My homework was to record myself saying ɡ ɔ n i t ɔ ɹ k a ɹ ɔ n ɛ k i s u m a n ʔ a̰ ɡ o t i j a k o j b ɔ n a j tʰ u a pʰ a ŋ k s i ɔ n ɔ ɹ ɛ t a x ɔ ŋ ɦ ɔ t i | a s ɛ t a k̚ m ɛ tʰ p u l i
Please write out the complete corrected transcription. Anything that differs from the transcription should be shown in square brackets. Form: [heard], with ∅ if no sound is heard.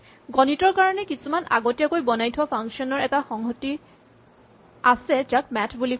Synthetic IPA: ɡ ɔ n i t ɔ ɹ k a ɹ ɔ n ɛ k i s u m a n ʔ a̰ ɡ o t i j a k o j b ɔ n a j tʰ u a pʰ a ŋ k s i ɔ n ɔ ɹ ɛ t a x ɔ ŋ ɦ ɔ t i | a s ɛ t a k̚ m ɛ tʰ [b] u l i